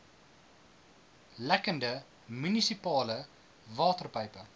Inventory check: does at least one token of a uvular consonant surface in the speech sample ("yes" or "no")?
no